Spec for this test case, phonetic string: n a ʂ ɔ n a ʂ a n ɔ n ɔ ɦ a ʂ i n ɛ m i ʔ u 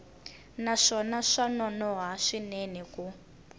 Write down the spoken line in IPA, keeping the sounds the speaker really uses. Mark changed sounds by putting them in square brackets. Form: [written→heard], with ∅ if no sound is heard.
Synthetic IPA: n a ʂ ɔ n a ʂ a n ɔ n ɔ ɦ a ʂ i n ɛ [m→n] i [ʔ→k] u